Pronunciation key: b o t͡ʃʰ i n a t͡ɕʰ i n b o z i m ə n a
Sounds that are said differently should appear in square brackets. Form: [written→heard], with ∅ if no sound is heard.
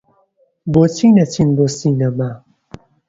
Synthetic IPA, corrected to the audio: b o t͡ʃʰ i n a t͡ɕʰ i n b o [z→s] i [m→n] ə [n→m] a